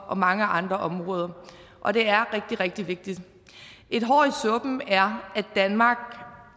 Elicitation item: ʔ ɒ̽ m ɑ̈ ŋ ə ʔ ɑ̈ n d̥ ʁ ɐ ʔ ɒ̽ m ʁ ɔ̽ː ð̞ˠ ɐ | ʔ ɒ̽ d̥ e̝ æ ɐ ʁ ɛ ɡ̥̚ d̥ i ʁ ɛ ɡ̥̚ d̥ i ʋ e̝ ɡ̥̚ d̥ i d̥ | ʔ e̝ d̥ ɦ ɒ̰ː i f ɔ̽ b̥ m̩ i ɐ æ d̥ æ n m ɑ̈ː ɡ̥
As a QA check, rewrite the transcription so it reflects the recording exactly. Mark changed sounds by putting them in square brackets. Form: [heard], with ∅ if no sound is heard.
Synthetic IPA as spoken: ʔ ɒ̽ m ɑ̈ ŋ ə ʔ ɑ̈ n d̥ ʁ ɐ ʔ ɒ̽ m ʁ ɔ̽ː ð̞ˠ ɐ | ʔ ɒ̽ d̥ e̝ æ ɐ ʁ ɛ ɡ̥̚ d̥ i ʁ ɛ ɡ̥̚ d̥ i ʋ e̝ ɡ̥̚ d̥ i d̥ | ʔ e̝ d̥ ɦ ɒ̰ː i [s] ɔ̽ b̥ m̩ [æ] ɐ æ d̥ æ n m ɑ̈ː ɡ̥